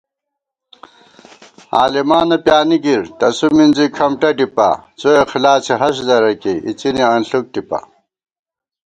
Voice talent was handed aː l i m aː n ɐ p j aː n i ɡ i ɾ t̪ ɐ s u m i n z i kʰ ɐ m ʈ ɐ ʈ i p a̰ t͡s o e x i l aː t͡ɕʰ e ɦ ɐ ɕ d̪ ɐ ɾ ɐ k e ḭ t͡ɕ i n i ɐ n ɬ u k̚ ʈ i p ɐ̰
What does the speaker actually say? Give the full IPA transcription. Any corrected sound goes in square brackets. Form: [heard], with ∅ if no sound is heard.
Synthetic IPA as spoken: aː l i m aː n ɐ p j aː n i ɡ i ɾ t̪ ɐ s u m i n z i kʰ ɐ m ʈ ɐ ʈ i p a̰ t͡s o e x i l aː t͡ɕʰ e ɦ ɐ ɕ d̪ ɐ ɾ ɐ k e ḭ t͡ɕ i n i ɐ n ɬ u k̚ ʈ i p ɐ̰